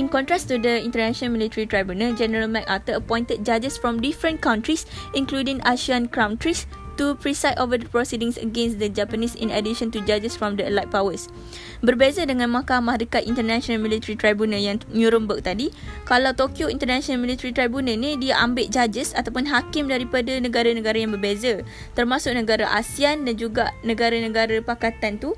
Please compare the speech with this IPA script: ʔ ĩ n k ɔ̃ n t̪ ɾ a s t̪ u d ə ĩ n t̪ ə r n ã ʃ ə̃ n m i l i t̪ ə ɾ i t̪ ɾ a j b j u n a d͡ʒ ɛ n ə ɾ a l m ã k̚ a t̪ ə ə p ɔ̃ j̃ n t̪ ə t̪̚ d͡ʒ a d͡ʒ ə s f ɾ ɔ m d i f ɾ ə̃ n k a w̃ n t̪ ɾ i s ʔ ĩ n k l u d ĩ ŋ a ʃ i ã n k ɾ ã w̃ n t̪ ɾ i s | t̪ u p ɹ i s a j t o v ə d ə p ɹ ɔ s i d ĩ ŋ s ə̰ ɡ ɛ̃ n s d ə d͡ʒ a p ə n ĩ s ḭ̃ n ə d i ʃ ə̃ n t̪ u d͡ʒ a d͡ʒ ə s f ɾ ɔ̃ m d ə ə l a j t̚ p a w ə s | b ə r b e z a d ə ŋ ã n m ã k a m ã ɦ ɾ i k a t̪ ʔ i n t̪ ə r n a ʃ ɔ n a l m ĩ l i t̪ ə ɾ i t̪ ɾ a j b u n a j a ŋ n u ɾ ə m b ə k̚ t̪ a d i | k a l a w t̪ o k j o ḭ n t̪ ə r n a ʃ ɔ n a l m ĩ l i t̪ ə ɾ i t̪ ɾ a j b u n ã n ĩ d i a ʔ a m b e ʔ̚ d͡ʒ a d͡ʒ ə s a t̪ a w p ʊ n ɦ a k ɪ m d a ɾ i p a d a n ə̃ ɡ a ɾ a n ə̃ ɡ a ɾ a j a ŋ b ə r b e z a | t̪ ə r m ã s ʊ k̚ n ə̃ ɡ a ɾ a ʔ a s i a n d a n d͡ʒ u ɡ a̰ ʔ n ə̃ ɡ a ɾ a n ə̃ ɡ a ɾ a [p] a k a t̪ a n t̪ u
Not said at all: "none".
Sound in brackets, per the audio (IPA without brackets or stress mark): p